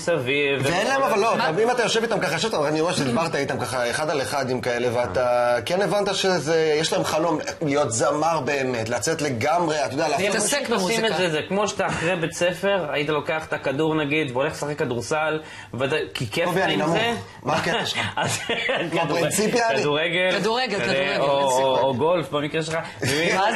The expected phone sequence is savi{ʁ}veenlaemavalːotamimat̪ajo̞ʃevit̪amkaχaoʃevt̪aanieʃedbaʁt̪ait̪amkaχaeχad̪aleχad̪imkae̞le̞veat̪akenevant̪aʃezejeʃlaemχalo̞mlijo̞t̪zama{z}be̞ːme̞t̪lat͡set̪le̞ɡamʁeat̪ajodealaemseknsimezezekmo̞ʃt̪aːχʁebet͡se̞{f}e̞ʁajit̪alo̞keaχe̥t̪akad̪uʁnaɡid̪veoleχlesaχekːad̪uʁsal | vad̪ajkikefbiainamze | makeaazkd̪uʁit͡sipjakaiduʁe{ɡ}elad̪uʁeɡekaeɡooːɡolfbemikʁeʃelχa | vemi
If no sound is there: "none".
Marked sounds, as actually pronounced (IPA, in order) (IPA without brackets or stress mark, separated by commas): v, ʁ, f, ɡ